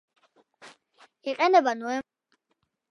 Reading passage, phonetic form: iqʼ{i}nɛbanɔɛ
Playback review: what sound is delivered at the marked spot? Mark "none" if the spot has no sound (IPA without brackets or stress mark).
ɛ